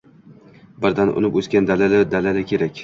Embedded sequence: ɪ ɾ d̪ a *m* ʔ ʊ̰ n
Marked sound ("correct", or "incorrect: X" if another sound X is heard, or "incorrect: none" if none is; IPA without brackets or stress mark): incorrect: n